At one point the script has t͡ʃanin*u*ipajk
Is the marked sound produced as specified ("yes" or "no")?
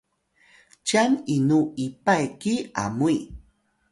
yes